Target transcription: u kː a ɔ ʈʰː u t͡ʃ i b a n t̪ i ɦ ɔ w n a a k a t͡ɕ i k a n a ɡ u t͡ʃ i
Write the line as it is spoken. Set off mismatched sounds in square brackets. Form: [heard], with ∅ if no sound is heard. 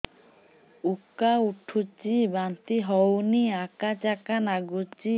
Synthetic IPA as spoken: u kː a [u] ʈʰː u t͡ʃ i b a n t̪ i ɦ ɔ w n [i] a k a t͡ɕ [a] k a n a ɡ u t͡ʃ i